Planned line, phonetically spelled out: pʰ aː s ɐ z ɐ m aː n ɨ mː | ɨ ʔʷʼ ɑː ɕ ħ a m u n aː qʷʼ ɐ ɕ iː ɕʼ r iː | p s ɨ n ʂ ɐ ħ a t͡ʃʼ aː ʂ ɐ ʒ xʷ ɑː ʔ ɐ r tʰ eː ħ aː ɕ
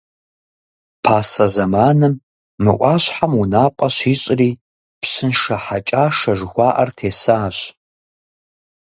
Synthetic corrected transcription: pʰ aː s ɐ z ɐ m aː n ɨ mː | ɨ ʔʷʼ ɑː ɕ ħ a m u n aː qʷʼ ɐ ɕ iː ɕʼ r iː | p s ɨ n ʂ ɐ ħ a t͡ʃʼ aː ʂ ɐ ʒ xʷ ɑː ʔ ɐ r tʰ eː s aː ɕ